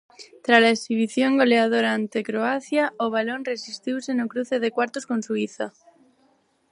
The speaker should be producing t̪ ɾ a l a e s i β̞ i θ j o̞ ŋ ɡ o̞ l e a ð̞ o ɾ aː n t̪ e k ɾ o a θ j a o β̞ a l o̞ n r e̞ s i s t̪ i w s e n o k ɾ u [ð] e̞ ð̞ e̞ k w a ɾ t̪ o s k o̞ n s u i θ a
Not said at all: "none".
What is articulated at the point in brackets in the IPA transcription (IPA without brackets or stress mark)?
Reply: θ